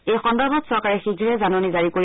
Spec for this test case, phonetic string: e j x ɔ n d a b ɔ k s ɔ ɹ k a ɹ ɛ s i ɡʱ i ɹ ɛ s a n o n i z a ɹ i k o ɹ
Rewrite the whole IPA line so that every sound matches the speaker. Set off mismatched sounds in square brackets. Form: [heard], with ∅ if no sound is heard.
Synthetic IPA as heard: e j x ɔ n d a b ɔ [t] s ɔ ɹ k a ɹ ɛ [x] i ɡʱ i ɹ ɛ [z] a n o n i z a ɹ i k o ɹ